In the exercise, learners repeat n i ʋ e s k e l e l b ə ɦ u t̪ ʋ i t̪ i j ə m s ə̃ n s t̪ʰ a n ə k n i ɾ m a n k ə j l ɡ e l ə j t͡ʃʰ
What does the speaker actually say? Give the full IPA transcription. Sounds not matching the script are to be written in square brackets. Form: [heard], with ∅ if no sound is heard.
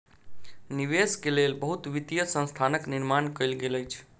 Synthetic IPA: n i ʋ e s k e l e l b ə ɦ u t̪ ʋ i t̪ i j ə [∅] s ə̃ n s t̪ʰ a n ə k n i ɾ m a n k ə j l ɡ e l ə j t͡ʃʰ